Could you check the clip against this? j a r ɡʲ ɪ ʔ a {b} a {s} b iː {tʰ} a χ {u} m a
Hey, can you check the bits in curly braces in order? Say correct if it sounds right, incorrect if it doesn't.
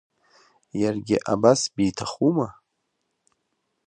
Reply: correct, correct, correct, correct

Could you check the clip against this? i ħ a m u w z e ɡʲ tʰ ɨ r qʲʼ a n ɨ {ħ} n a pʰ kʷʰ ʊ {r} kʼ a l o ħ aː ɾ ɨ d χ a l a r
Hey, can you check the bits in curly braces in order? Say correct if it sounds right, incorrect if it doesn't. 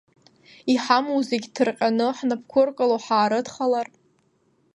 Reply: correct, correct

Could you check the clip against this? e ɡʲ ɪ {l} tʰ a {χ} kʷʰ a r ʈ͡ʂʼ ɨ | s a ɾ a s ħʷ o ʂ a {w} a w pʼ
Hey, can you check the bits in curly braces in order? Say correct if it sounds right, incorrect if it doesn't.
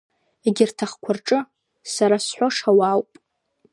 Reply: incorrect, correct, correct

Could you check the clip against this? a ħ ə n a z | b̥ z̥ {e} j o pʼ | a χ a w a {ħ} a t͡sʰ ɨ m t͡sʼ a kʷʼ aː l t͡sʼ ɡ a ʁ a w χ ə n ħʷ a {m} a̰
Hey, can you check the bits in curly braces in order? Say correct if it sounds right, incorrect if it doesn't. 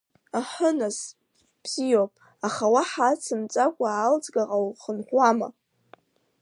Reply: incorrect, correct, correct

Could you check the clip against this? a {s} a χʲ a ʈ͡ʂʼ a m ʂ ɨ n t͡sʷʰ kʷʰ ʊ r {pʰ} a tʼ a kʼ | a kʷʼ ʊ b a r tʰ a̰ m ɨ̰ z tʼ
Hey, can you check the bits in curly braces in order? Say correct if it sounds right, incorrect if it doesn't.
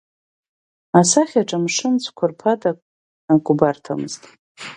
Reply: correct, correct

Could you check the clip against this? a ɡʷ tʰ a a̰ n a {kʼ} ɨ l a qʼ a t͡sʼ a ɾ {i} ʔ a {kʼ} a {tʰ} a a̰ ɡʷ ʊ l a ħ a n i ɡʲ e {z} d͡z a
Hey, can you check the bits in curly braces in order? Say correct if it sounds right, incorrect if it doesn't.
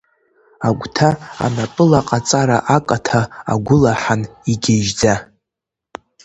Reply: incorrect, incorrect, correct, correct, incorrect

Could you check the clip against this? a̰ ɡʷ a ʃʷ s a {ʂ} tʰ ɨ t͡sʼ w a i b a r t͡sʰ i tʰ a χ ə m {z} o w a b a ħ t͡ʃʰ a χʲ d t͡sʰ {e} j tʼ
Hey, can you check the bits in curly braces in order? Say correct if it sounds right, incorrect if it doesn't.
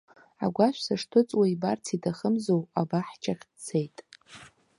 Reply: correct, correct, correct

